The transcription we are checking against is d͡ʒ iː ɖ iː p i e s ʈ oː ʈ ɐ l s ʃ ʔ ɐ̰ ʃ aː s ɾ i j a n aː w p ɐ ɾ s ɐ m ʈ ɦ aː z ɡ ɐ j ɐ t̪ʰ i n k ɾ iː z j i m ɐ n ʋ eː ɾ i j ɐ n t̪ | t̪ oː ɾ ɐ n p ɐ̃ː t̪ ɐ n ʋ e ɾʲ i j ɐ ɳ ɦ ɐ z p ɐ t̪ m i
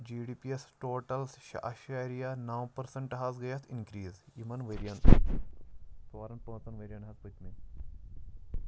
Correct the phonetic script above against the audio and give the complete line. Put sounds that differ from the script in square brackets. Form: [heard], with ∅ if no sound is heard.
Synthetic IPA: d͡ʒ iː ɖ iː p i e s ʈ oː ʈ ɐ l s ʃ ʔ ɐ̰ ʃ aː [∅] ɾ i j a n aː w p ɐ ɾ s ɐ [ɳ] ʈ ɦ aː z ɡ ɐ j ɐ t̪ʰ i n k ɾ iː z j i m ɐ n ʋ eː ɾ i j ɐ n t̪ | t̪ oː ɾ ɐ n p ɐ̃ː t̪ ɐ n ʋ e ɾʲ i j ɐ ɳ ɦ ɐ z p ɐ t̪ m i